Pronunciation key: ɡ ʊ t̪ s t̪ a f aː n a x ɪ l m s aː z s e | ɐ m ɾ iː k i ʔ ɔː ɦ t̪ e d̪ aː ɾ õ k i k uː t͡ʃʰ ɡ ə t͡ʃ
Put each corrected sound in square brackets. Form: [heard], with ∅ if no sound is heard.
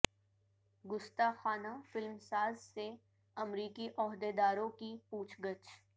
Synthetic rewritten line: ɡ ʊ [∅] s t̪ a [x] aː n a [f] ɪ l m s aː z s e | ɐ m ɾ iː k i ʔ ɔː ɦ [d̪] e d̪ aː ɾ õ k i [p] uː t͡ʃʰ ɡ ə t͡ʃ